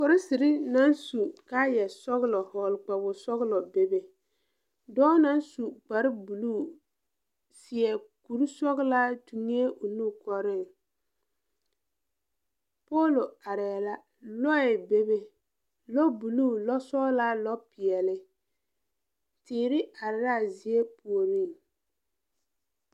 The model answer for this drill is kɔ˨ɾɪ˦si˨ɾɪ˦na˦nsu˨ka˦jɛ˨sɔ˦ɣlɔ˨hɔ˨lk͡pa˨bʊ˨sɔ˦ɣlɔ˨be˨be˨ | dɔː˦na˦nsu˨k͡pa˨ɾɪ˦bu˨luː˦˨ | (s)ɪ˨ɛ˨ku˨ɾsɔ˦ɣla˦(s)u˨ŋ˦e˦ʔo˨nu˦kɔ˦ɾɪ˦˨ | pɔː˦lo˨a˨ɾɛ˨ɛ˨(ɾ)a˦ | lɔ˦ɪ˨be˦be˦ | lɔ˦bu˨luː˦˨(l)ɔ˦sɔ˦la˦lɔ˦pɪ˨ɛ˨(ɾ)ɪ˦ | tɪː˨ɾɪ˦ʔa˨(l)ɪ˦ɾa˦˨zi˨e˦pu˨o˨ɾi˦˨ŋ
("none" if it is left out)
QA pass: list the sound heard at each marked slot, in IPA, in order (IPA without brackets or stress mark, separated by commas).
s, t, l, l, l, ɾ